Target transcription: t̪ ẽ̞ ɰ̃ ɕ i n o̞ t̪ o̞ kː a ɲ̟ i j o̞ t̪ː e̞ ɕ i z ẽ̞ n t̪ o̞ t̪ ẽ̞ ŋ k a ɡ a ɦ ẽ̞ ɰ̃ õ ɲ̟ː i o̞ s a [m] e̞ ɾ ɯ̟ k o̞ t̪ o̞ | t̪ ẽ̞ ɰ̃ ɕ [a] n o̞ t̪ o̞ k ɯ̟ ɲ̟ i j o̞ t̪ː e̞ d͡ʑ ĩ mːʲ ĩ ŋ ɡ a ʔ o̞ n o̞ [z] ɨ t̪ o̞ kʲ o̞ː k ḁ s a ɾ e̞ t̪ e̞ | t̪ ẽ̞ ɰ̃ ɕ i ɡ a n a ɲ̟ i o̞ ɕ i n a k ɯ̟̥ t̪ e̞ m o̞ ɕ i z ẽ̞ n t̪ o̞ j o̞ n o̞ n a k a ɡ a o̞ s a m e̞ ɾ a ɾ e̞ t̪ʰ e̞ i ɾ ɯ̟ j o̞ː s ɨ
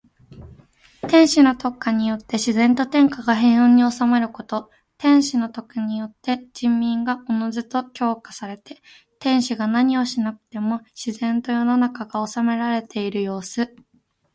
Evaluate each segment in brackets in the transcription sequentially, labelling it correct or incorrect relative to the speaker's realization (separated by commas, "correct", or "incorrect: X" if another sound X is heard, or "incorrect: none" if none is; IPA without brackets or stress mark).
correct, incorrect: i, correct